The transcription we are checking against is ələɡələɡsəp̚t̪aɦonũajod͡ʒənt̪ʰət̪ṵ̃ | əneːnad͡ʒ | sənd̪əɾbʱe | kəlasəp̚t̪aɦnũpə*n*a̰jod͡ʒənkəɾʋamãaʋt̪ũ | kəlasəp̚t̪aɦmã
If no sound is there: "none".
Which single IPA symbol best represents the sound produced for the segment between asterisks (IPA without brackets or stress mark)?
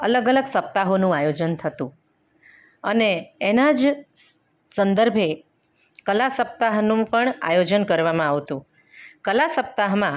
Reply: ɳ